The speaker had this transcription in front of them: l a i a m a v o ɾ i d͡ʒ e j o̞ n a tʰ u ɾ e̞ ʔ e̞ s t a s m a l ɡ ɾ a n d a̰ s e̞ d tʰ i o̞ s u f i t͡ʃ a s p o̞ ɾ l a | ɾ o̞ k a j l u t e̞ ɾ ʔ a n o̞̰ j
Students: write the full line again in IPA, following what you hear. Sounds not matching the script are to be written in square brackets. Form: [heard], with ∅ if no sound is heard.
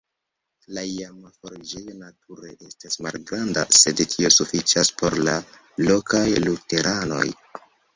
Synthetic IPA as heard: l a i a m a [f] o ɾ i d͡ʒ e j o̞ n a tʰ u ɾ e̞ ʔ e̞ s t a s m a l ɡ ɾ a n d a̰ s e̞ d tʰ i o̞ s u f i t͡ʃ a s p o̞ ɾ l a | [l] o̞ k a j l u t e̞ ɾ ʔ a n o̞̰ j